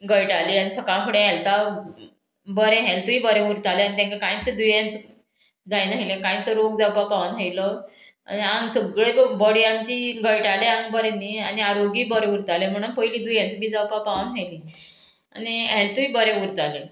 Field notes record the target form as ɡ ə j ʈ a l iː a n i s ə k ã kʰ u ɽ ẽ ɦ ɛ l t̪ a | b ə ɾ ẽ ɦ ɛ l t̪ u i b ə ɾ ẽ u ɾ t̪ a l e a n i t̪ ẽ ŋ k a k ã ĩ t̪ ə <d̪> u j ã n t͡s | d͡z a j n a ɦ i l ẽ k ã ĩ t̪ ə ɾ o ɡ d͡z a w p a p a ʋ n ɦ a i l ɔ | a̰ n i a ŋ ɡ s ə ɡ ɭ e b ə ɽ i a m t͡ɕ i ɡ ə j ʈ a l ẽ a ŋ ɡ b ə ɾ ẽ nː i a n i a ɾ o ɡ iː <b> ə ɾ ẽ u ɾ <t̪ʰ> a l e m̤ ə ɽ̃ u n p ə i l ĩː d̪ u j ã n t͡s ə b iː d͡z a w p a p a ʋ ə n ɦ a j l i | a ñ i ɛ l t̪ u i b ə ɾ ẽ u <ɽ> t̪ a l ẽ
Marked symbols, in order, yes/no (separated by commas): yes, yes, no, no